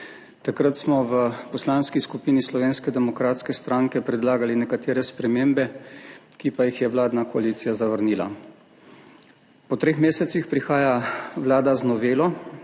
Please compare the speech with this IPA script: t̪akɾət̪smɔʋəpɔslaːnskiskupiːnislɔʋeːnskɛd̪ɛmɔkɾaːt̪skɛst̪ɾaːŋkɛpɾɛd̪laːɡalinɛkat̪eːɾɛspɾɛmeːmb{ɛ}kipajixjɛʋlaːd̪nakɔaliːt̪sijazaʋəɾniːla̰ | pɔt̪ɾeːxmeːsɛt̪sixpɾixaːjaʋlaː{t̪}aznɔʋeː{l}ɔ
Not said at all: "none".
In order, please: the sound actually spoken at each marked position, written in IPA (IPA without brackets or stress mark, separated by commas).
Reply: ɛ, d̪, l